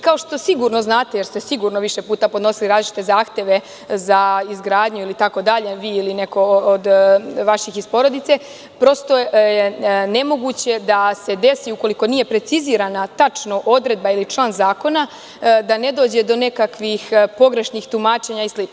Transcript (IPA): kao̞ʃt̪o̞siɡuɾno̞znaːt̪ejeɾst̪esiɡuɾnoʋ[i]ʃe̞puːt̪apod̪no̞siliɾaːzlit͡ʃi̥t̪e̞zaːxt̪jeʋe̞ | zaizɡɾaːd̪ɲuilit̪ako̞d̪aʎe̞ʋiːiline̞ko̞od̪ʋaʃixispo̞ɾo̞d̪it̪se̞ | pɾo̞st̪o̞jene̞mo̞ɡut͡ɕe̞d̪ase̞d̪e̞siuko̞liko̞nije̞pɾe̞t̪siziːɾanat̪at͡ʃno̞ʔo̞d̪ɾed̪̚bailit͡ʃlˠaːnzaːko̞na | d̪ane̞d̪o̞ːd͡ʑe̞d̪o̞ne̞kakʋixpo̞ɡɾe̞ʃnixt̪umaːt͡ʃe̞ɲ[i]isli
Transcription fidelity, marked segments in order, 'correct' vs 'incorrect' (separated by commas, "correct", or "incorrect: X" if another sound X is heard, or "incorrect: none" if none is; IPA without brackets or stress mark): correct, incorrect: a